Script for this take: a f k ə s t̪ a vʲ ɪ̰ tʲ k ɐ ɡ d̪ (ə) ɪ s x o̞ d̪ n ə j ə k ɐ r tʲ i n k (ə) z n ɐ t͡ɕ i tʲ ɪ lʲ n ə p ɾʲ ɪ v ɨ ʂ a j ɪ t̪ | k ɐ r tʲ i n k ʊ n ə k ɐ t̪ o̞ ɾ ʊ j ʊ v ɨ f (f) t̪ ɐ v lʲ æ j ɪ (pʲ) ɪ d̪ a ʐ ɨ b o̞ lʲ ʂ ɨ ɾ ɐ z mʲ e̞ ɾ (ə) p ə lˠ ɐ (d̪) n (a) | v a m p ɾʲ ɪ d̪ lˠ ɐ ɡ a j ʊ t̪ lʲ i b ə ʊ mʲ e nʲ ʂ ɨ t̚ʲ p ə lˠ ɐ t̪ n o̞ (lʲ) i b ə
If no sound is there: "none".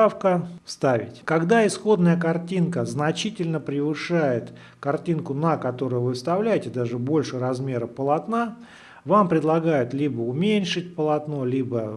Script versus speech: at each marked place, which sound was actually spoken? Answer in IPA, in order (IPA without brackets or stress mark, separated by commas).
a, ə, s, tʲ, ə, t̪, a, lʲ